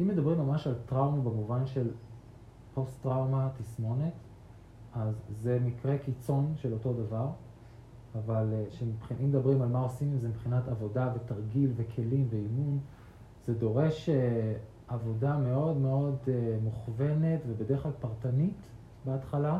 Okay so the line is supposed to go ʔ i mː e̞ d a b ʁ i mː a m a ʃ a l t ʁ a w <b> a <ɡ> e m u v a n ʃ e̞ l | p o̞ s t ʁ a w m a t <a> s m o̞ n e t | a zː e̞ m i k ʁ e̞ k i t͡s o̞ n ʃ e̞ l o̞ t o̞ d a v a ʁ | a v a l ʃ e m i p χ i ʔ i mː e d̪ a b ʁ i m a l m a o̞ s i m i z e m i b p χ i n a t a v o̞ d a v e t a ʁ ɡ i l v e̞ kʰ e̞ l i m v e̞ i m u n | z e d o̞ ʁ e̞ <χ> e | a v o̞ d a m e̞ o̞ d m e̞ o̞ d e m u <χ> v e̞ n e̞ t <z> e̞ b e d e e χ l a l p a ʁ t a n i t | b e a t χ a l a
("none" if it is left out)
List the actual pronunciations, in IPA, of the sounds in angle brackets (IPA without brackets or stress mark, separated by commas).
m, b, i, ʃ, χ, v